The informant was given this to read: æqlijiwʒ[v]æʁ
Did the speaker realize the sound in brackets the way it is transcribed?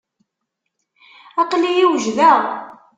no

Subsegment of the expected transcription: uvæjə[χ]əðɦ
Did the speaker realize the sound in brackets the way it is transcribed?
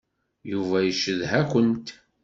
no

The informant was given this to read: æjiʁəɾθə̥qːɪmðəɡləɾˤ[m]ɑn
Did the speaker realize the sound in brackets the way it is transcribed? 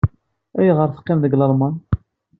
yes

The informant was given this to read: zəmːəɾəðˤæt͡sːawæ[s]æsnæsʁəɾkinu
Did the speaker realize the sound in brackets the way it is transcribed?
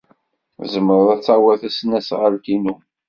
no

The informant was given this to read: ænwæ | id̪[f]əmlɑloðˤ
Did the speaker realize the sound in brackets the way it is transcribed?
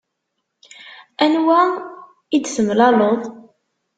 no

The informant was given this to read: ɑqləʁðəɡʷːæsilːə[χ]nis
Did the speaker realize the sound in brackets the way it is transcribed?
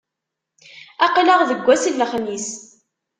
yes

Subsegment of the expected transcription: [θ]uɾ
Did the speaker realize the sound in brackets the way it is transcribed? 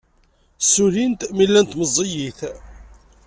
no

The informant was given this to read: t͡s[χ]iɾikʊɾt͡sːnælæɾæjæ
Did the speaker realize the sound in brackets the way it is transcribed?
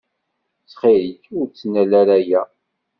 yes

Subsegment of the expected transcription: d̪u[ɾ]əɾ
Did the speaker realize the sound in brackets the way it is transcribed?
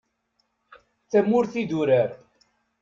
yes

